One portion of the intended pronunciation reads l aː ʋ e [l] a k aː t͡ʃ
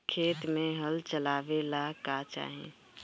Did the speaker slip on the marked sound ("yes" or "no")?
no